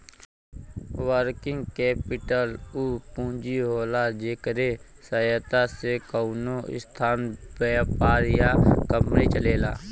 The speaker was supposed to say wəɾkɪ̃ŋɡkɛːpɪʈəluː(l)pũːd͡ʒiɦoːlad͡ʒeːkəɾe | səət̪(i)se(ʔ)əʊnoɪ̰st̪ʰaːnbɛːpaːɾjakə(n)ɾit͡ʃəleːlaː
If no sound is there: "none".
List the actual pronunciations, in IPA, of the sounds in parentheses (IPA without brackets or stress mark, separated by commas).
none, a, k, m